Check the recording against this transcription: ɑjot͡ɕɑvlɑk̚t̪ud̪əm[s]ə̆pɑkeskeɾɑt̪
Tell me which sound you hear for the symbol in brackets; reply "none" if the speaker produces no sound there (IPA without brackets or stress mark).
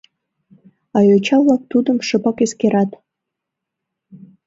ʃ